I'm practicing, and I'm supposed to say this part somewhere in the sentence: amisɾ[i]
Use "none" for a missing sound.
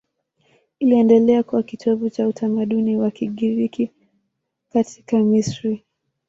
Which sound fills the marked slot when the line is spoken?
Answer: i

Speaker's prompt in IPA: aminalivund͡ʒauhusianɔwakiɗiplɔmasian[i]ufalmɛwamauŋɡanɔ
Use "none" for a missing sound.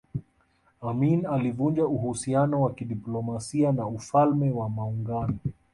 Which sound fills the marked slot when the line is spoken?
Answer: a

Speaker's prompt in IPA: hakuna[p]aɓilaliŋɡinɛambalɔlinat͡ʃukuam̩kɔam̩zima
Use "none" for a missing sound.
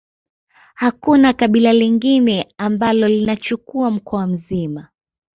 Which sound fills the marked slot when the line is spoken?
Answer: k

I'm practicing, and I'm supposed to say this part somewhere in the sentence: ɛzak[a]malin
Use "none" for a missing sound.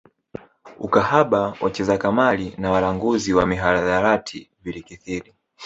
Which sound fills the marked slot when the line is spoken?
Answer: a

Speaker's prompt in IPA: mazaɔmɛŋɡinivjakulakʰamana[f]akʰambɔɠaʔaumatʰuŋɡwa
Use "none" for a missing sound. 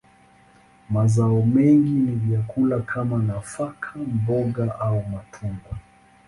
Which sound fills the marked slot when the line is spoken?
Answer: f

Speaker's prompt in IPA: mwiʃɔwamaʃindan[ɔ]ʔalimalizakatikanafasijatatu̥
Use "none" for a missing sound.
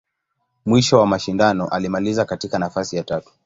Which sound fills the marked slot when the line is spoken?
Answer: ɔ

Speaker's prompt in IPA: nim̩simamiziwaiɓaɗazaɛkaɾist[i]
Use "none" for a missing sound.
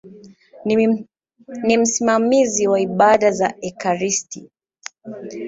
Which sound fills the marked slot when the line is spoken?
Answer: i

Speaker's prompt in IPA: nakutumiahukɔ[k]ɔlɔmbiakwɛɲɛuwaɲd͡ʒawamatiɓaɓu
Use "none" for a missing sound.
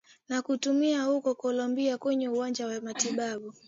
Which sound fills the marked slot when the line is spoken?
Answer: k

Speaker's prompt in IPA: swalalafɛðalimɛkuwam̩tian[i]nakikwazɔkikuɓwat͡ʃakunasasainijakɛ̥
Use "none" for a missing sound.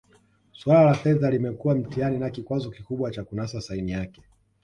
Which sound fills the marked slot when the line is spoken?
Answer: i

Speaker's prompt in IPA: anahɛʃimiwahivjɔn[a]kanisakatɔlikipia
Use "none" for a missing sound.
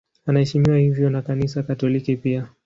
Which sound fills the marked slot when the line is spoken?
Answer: a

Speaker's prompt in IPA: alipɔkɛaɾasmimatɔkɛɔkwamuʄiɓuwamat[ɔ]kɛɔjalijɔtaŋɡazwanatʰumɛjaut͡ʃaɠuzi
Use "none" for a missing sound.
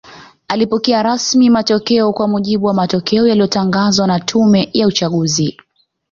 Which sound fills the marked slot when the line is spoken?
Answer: ɔ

